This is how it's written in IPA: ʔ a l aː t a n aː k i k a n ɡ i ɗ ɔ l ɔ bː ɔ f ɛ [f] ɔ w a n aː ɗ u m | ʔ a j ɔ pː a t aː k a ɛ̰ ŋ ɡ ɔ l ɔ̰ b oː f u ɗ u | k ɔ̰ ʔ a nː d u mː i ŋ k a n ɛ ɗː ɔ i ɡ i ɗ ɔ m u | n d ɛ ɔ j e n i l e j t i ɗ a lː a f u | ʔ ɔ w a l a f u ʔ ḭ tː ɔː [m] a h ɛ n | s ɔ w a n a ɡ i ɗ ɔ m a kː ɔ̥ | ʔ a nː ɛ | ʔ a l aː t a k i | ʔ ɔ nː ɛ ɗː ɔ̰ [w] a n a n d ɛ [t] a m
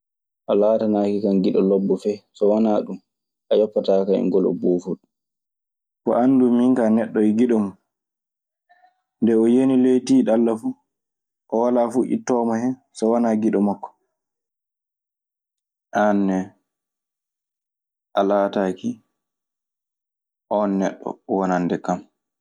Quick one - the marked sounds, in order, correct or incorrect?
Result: incorrect, correct, correct, incorrect

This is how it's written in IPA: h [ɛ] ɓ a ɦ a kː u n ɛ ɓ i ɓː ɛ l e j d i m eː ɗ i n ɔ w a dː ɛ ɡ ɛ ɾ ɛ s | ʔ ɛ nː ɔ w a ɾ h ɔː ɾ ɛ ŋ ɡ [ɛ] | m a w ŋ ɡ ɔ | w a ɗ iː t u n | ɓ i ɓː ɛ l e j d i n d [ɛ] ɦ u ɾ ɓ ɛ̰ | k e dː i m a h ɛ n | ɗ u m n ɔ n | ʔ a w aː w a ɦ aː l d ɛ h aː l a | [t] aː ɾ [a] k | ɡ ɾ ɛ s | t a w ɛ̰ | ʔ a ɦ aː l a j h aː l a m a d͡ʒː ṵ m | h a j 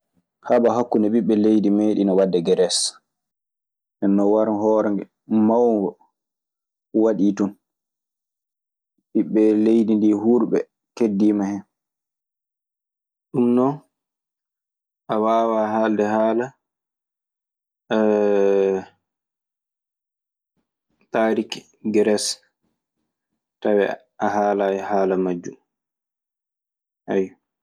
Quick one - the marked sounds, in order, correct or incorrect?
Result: incorrect, correct, incorrect, correct, incorrect

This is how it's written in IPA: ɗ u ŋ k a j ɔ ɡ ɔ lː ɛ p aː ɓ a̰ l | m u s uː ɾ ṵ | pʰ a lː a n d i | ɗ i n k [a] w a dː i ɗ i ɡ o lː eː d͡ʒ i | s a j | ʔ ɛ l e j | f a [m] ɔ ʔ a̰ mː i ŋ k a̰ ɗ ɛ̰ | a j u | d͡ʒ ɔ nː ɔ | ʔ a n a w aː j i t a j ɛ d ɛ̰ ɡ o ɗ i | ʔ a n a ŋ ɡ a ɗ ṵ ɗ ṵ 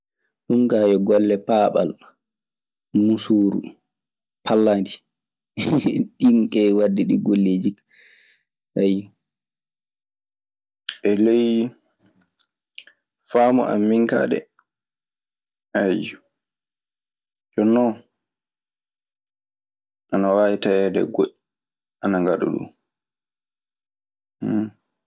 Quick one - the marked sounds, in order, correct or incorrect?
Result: incorrect, correct

